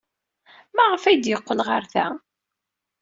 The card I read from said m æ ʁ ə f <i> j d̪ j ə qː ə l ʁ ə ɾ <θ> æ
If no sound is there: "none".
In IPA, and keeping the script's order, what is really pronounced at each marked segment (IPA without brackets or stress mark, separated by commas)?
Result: æ, θ